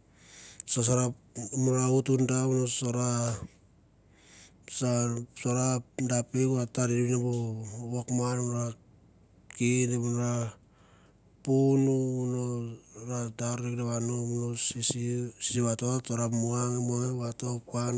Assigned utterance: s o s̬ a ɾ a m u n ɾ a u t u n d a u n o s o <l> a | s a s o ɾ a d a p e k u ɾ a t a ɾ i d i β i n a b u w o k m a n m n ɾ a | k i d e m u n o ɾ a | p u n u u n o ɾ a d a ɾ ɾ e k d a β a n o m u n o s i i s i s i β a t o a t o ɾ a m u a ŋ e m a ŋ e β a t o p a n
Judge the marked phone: incorrect: ɾ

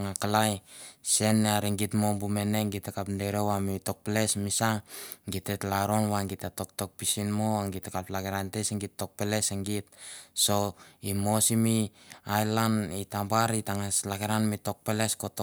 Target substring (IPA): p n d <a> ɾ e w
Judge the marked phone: incorrect: e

